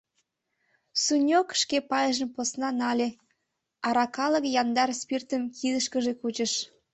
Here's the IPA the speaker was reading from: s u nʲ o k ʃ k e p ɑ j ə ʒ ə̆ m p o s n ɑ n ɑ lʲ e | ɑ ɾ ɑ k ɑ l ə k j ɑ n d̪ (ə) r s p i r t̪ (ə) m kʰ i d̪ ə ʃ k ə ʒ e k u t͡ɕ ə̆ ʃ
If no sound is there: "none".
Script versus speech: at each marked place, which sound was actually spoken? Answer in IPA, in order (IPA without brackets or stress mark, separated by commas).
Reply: ɑ, ə